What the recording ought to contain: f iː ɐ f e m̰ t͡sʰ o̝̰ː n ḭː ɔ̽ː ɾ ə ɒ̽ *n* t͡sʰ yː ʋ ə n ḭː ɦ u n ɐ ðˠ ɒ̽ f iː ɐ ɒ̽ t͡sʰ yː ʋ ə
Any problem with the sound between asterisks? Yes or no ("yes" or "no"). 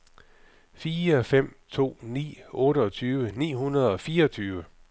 yes